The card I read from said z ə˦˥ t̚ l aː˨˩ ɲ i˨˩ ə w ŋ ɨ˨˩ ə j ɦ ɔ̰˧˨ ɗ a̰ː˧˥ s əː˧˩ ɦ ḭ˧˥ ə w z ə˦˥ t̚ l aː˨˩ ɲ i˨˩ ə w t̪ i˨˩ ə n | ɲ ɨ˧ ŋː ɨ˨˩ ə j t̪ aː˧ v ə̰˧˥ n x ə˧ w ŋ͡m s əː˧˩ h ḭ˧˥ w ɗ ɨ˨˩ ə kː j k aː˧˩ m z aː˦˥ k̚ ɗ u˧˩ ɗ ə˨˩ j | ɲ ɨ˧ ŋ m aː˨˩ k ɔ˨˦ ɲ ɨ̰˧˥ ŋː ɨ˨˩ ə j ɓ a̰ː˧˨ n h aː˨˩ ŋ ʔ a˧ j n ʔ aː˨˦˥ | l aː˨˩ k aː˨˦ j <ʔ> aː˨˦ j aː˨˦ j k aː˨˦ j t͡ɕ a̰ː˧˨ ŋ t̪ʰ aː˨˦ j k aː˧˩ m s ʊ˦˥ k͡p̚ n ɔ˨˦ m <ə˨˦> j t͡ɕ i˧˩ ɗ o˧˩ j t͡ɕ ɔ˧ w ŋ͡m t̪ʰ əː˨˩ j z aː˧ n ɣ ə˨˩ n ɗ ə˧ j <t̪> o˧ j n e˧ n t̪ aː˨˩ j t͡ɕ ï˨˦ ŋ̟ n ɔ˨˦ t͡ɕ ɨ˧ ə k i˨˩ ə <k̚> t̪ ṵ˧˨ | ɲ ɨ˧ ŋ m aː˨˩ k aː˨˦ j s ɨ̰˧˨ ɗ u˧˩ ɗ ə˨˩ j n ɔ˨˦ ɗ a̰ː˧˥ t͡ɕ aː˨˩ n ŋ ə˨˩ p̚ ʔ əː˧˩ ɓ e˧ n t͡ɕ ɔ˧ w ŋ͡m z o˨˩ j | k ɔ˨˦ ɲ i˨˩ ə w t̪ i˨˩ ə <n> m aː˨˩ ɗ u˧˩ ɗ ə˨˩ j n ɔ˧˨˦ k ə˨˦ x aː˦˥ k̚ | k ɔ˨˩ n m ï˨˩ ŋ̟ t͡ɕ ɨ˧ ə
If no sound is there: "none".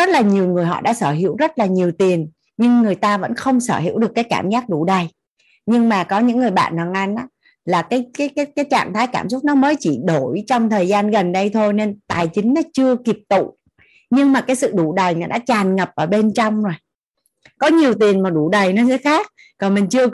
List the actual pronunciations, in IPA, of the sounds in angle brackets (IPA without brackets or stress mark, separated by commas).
k, əː˨˦, t̪ʰ, p̚, n